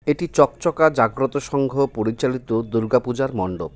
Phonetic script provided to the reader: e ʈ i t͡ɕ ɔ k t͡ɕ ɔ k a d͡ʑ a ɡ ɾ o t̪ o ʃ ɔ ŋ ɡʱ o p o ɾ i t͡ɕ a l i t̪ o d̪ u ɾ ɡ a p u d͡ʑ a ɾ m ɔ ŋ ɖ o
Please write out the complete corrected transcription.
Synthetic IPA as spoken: e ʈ i t͡ɕ ɔ k t͡ɕ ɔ k a d͡ʑ a ɡ ɾ o t̪ o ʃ ɔ ŋ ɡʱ o p o ɾ i t͡ɕ a l i t̪ o d̪ u ɾ ɡ a p u d͡ʑ a ɾ m ɔ ɳ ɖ o